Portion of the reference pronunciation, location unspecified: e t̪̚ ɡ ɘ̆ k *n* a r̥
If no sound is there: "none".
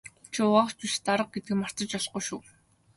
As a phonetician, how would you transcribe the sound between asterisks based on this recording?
m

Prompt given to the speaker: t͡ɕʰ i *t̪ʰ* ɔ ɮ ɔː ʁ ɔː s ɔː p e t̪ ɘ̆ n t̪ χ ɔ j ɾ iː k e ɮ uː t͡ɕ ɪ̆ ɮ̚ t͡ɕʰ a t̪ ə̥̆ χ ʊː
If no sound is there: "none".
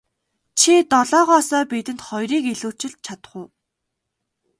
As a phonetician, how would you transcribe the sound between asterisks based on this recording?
t̪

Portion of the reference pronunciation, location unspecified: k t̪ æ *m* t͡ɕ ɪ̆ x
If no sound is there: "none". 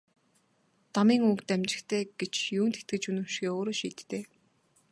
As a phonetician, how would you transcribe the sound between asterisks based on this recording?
m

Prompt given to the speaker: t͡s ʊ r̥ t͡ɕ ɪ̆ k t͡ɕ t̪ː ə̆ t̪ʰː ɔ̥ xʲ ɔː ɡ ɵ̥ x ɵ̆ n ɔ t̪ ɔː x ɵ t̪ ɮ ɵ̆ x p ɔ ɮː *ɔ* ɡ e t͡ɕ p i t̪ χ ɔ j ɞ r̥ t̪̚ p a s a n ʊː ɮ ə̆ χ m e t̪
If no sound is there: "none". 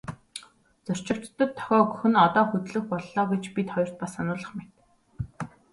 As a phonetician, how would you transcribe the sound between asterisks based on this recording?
ɔː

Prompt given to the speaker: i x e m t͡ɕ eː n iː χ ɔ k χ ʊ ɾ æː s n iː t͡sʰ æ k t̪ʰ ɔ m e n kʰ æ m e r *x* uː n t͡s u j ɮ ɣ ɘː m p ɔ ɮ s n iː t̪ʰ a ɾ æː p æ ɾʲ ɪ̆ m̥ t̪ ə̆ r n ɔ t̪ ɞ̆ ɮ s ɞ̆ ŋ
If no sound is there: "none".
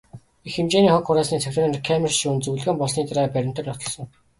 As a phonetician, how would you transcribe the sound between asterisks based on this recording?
ʃ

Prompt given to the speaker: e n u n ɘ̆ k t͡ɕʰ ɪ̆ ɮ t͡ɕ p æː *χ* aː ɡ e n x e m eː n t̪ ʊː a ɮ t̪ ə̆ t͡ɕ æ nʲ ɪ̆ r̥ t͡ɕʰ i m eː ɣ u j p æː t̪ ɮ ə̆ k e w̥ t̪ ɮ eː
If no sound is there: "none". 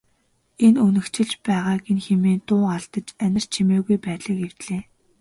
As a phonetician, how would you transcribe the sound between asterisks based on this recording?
ʁ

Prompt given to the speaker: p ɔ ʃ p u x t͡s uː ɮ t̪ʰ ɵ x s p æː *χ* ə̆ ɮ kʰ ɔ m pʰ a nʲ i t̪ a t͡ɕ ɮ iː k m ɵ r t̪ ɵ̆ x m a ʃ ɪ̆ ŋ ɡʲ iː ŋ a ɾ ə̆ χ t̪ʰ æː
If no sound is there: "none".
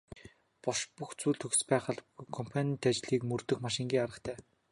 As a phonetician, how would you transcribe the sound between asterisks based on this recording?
χ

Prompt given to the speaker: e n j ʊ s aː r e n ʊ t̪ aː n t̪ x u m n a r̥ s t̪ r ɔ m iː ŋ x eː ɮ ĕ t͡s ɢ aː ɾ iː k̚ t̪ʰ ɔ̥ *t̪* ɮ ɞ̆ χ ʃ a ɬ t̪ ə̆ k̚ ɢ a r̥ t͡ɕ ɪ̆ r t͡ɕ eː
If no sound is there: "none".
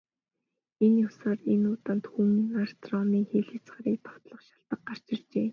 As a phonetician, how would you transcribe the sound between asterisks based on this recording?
t̪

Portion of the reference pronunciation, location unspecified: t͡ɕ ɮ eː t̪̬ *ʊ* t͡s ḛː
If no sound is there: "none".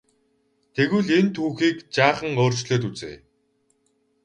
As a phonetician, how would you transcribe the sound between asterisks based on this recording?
u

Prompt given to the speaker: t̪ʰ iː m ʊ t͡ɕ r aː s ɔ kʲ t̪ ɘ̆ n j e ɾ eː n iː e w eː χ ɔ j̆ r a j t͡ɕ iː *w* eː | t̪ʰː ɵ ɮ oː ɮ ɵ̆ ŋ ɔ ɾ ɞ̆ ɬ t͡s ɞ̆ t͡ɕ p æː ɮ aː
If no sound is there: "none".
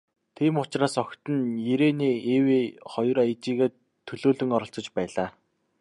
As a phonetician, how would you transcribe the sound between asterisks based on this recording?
ɣ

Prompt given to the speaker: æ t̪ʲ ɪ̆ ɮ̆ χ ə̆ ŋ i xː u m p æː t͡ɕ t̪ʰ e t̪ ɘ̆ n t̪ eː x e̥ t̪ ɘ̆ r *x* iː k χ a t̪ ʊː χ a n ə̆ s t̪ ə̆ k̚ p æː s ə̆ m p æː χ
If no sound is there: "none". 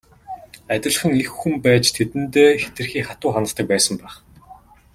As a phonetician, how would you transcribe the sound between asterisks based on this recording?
x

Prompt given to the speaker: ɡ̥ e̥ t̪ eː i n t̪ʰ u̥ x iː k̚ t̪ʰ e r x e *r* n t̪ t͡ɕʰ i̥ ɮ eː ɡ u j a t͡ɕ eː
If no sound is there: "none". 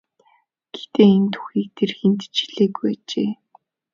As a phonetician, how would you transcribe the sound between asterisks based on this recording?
none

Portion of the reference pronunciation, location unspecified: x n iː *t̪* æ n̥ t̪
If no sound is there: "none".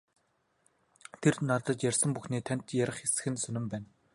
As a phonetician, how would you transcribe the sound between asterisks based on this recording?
t̪ʰ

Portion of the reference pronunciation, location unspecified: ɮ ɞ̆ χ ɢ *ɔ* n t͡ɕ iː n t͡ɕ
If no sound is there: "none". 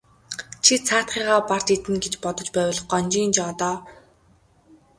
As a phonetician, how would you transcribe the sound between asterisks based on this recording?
ɔ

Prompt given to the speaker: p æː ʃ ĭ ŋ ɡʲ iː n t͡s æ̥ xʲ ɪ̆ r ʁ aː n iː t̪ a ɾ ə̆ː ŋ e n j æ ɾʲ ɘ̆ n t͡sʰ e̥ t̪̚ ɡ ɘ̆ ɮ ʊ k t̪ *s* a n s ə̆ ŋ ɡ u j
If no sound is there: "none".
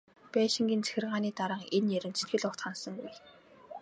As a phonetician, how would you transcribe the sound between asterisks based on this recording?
χ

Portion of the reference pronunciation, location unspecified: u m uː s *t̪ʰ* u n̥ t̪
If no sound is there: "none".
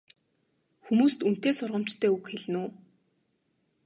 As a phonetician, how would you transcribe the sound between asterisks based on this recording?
t̪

